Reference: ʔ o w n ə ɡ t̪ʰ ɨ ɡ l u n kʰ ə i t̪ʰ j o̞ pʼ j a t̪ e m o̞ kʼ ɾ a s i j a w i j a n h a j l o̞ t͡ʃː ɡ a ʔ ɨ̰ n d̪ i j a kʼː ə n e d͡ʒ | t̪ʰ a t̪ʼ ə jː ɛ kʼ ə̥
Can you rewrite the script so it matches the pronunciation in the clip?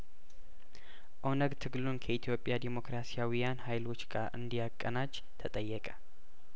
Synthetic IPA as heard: ʔ o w n ə ɡ t̪ʰ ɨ ɡ l u n kʰ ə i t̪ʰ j o̞ pʼ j a d̪ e m o̞ k ɾ a s i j a w i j a n h a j l o̞ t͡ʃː ɡ a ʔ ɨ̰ n d̪ i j a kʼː ə n a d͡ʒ | t̪ʰ ə t̪ʼ ə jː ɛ kʼ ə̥